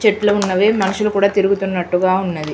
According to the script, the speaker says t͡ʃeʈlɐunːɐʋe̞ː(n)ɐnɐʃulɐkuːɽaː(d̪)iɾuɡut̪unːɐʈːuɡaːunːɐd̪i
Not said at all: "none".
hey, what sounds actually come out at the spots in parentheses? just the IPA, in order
m, t̪

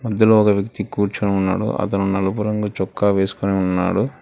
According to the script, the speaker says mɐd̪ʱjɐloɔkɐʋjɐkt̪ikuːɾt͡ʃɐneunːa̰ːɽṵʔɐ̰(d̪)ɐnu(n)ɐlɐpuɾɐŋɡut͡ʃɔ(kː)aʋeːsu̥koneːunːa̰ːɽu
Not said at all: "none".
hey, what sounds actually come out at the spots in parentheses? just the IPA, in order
t̪, n, kː

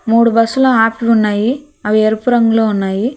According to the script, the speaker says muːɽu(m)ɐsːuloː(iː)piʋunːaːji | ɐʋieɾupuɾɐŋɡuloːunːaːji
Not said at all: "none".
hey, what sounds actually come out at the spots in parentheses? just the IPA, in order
b, aː

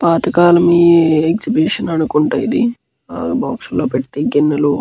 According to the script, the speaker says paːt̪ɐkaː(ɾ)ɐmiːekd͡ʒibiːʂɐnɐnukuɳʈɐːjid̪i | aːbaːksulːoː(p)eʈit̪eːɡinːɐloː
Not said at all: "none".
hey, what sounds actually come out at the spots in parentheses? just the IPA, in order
l, p

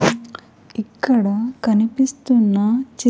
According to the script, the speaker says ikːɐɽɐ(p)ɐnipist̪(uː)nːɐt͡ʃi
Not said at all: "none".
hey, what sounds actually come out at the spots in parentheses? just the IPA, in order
k, u

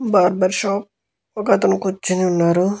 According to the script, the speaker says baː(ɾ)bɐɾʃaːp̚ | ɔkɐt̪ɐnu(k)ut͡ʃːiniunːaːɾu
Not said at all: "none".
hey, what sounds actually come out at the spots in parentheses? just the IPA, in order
ɾ, k

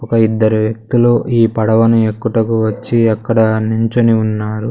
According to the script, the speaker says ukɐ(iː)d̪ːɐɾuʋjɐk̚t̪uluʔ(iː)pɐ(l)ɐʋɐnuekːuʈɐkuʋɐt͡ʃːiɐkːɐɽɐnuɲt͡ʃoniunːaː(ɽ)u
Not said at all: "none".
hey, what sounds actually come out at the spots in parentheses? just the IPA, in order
i, iː, ɽ, ɾ

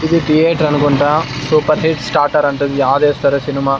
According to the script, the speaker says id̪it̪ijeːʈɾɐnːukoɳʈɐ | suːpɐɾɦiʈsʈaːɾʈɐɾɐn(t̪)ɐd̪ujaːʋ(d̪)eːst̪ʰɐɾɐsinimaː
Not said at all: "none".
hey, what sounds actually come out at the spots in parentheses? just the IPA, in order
t̪, d̪

